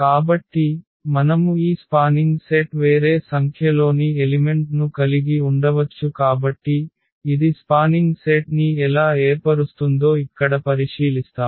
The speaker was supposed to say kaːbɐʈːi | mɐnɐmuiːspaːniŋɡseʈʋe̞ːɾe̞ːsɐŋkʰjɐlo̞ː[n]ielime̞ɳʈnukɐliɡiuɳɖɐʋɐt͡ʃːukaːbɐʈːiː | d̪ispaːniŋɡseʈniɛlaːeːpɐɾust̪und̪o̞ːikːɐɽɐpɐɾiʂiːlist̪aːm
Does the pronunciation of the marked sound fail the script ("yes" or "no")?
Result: no